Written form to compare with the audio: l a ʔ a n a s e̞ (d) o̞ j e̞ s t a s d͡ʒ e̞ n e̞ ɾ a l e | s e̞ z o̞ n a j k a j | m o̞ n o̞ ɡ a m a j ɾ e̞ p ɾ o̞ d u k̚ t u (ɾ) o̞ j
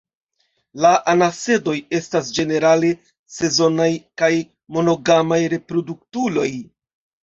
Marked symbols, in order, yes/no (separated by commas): yes, no